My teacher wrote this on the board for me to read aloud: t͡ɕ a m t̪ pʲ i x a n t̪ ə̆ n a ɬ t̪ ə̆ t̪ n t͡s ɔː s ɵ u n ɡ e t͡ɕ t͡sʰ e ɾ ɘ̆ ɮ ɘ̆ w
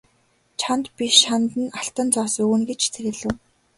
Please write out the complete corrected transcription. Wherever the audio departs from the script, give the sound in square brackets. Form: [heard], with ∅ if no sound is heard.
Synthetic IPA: [t͡ɕʰ] a [n] t̪ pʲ i [ʃ] a n t̪ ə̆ n a ɬ t̪ ə̆ [∅] n t͡s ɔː s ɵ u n ɡ e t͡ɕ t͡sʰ e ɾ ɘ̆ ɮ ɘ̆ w